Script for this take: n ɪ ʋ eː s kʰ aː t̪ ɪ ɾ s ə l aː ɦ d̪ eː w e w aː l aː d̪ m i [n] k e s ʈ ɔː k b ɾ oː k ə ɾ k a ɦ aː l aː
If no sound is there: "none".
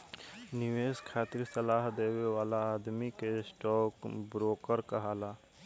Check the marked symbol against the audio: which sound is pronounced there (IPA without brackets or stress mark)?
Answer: none